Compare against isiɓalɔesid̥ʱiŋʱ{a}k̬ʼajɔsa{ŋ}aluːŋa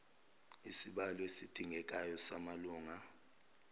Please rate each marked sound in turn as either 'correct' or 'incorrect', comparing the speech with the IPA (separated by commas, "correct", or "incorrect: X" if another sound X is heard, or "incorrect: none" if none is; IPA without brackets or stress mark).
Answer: incorrect: ɛ, incorrect: m